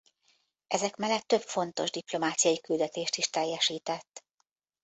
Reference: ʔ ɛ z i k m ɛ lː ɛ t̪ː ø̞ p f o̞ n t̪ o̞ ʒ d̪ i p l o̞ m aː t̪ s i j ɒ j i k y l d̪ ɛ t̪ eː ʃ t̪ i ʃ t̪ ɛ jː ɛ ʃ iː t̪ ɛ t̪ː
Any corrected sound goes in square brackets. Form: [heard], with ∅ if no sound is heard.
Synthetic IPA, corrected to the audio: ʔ ɛ z [ɛ] k m ɛ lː ɛ t̪ː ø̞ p f o̞ n t̪ o̞ ʒ d̪ i p l o̞ m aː t̪ s i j ɒ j i k y l d̪ ɛ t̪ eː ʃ t̪ i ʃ t̪ ɛ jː ɛ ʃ iː t̪ ɛ t̪ː